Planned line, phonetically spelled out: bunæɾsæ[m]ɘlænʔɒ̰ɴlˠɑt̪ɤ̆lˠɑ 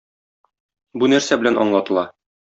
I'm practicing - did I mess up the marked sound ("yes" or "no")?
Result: yes